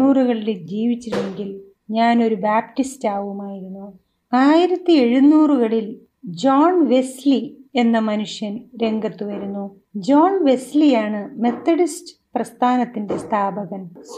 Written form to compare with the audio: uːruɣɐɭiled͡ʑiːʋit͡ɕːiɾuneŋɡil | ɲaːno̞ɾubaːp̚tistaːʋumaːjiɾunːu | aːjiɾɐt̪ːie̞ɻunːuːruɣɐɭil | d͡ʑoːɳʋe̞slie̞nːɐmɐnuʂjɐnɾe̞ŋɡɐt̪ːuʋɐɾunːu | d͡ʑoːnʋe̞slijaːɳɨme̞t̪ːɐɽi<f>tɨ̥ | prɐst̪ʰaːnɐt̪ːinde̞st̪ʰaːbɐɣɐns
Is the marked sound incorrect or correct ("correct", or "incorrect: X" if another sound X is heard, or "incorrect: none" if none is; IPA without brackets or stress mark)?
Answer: incorrect: s